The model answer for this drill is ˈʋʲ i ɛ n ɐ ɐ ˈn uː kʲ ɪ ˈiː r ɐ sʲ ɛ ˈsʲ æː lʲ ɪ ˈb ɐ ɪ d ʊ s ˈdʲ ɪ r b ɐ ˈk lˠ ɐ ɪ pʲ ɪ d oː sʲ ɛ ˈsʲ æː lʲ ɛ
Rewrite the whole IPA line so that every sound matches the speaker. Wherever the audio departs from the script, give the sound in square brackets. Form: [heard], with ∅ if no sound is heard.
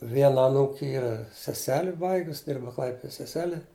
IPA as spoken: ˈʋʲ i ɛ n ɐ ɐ ˈn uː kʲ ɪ ˈiː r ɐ sʲ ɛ ˈsʲ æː lʲ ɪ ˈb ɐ ɪ [ɡ] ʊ s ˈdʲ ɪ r b ɐ ˈk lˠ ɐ ɪ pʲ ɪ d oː sʲ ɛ ˈsʲ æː lʲ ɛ